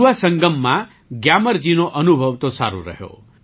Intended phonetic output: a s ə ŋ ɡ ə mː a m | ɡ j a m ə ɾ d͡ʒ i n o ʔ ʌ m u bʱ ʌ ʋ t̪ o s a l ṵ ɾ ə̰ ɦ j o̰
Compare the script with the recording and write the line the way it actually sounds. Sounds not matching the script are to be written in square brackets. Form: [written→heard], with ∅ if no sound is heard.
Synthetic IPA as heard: a s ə ŋ ɡ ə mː a [m→∅] | ɡ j a m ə ɾ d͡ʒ i n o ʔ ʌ [m→n] u bʱ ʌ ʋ t̪ o s a [l→ɾ] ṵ ɾ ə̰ ɦ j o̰